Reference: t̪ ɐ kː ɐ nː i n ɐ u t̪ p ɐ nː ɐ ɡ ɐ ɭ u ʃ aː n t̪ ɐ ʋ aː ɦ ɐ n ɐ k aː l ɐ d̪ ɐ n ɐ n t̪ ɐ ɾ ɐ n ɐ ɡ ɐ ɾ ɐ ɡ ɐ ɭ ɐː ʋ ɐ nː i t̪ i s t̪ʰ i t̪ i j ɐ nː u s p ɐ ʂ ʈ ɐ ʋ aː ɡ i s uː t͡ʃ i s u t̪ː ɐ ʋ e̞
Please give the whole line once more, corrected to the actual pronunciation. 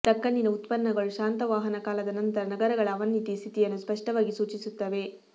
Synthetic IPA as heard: t̪ ɐ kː ɐ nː i n ɐ u t̪ p ɐ nː ɐ ɡ ɐ ɭ u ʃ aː n t̪ ɐ ʋ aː ɦ ɐ n ɐ k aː l ɐ d̪ ɐ n ɐ n t̪ ɐ ɾ ɐ n ɐ ɡ ɐ ɾ ɐ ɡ ɐ ɭ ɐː ʋ ɐ nː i t̪ i s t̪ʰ i t̪ i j ɐ nː u s p ɐ ʂ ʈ ɐ ʋ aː ɡ i s uː t͡ʃ i s u t̪ː ɐ ʋ e̞